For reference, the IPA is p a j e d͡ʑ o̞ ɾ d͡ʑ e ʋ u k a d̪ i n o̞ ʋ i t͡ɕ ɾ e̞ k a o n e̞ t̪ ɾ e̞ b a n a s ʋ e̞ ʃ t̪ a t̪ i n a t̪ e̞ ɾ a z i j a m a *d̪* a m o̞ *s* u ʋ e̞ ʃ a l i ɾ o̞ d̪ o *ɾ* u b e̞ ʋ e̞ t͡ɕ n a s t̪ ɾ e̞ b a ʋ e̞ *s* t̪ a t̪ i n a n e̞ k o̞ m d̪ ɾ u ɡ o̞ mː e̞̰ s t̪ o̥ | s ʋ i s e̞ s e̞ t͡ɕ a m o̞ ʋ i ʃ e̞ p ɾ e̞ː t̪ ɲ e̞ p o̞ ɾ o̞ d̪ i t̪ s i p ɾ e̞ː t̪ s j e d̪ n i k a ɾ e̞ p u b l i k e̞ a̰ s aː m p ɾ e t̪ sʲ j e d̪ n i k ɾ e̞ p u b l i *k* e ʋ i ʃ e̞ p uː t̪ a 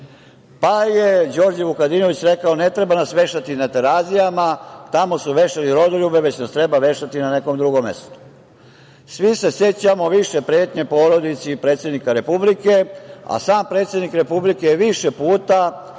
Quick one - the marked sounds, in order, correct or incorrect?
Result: incorrect: t̪, correct, incorrect: ʎ, incorrect: ʃ, correct

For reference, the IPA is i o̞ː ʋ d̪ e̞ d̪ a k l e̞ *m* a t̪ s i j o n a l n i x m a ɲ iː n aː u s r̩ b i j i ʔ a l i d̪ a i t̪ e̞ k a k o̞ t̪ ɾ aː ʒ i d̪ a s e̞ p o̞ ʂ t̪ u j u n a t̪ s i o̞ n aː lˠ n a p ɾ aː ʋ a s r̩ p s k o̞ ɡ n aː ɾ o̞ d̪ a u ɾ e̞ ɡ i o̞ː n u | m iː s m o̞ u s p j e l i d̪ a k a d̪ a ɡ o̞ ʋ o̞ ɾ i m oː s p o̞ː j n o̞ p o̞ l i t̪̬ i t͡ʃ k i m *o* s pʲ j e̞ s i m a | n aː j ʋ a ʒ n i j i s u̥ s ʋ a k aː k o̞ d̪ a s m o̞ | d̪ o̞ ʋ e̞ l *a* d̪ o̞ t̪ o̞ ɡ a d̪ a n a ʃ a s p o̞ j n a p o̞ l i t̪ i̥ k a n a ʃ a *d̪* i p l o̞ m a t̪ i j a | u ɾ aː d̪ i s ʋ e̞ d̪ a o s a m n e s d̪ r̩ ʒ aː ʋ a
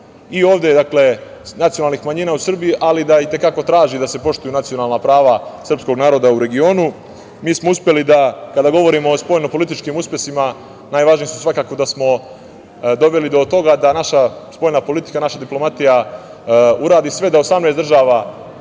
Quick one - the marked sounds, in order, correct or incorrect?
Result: incorrect: n, incorrect: u, incorrect: i, correct

